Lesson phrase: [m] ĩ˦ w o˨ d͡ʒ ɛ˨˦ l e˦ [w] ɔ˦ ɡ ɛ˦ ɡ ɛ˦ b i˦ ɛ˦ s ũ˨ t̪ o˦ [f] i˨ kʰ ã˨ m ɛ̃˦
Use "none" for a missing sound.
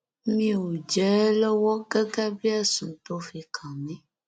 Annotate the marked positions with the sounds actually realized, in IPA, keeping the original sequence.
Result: m, w, f

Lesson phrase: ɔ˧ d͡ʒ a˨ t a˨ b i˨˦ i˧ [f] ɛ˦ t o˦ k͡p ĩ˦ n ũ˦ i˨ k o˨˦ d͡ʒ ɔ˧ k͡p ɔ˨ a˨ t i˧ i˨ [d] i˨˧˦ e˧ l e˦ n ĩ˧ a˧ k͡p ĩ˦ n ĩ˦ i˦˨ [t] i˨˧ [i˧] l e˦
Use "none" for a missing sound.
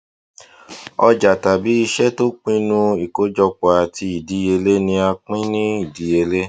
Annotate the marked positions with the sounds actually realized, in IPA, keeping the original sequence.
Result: ʃ, d, d, e˧

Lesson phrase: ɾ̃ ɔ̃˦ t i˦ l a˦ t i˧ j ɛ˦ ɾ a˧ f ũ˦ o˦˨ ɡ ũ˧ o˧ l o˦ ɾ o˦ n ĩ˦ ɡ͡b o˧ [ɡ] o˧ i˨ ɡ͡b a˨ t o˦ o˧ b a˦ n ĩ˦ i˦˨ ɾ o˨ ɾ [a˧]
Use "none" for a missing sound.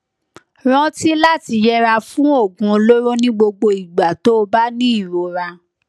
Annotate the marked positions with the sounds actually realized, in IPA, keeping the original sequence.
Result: ɡ͡b, a˧

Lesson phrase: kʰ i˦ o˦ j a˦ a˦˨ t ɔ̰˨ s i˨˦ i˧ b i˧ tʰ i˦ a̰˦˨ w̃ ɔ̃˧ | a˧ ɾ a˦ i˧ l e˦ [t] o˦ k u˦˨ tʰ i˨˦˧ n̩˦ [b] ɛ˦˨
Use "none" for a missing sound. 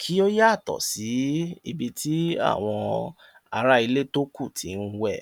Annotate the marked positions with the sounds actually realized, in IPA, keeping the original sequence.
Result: t, w

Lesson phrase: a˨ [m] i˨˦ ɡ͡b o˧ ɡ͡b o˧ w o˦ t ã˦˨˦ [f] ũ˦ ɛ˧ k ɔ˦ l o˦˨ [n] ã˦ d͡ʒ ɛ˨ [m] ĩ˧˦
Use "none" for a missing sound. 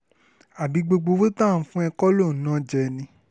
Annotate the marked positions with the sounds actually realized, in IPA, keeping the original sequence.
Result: b, f, n, n

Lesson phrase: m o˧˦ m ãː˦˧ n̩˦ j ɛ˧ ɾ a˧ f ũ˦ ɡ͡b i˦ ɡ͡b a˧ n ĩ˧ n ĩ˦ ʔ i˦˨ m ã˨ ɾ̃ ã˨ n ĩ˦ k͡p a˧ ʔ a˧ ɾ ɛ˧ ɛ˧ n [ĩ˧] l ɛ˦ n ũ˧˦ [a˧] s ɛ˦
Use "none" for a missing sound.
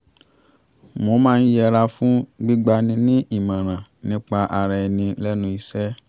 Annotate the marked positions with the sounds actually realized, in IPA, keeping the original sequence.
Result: ĩ˧, i˧

